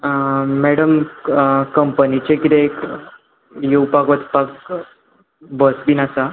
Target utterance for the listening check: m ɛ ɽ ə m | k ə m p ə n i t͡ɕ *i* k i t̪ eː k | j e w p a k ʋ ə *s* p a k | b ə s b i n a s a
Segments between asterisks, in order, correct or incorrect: incorrect: e, incorrect: t͡s

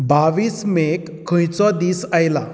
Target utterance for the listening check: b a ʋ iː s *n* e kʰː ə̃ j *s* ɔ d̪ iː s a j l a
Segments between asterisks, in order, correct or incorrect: incorrect: m, incorrect: t͡s

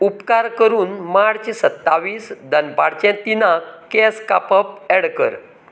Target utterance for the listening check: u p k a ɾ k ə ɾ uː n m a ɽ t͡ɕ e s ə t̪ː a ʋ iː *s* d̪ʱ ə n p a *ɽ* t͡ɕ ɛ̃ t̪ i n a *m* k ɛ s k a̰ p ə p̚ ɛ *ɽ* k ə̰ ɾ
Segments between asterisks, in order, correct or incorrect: correct, correct, incorrect: none, correct

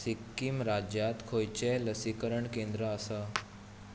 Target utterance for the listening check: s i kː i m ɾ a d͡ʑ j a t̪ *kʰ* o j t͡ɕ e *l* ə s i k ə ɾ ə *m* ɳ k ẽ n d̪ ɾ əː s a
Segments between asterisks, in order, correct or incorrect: correct, correct, incorrect: none

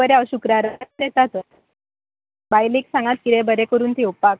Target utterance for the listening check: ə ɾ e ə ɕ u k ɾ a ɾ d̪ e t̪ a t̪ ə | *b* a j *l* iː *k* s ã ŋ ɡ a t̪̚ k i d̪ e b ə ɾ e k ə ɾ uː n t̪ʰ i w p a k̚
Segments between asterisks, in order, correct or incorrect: correct, correct, correct

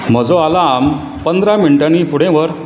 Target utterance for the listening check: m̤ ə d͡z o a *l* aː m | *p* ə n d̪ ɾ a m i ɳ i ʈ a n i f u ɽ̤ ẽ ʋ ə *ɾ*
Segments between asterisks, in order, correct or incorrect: correct, correct, correct

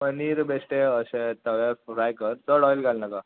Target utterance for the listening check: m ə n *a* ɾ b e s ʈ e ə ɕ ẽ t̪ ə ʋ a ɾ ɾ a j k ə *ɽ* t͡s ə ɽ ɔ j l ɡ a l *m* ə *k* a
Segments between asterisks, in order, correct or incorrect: incorrect: i, incorrect: ɾ, incorrect: n, correct

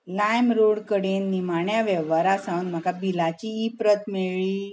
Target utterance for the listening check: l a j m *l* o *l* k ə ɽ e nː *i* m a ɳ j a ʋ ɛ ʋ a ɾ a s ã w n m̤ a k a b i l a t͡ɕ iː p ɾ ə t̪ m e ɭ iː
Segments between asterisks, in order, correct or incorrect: incorrect: ɾ, incorrect: ɽ, correct

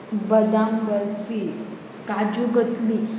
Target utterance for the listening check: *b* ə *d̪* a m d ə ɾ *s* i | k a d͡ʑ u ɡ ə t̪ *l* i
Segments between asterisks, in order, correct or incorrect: correct, correct, incorrect: f, correct

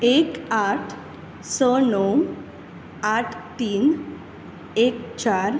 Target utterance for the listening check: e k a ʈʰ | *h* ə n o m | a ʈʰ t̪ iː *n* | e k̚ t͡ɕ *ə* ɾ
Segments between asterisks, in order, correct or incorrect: incorrect: s, correct, incorrect: a

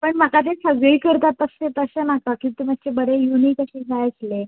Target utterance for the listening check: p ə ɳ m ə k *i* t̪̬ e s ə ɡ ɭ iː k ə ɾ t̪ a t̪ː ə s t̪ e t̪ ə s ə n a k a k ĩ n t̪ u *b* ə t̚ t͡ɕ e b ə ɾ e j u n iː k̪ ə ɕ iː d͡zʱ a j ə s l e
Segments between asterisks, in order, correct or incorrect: incorrect: a, incorrect: m

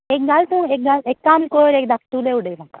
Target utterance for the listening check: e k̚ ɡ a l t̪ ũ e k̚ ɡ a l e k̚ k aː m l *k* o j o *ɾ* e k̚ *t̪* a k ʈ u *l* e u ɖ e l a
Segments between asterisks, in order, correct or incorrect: correct, correct, incorrect: d̪, correct

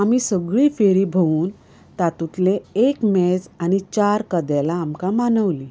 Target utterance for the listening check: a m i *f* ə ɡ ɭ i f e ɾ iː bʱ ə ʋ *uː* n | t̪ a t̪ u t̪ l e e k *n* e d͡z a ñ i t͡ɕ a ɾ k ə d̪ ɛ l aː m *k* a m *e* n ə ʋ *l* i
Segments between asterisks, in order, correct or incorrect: incorrect: s, correct, incorrect: m, correct, incorrect: a, correct

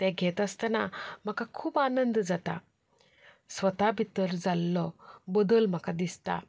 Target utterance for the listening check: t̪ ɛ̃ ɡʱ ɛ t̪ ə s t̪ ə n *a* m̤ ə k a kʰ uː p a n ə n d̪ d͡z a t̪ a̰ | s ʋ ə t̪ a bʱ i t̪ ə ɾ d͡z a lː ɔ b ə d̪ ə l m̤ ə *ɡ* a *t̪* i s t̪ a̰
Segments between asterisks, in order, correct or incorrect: correct, incorrect: k, incorrect: d̪

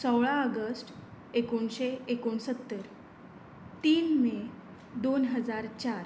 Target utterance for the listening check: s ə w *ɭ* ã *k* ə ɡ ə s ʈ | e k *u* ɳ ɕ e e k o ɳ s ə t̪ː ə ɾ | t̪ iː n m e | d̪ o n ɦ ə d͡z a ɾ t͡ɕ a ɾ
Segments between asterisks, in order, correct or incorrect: correct, incorrect: none, incorrect: o

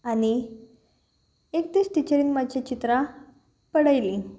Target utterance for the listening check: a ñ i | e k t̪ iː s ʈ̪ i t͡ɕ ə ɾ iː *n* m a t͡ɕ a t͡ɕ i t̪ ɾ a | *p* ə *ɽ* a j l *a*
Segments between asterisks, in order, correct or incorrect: correct, correct, correct, incorrect: i

